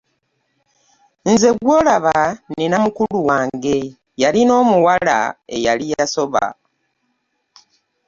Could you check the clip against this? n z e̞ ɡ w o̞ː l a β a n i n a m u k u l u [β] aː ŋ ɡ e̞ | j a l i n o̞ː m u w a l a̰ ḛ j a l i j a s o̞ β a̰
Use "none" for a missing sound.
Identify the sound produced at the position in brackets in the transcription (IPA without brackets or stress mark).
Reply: w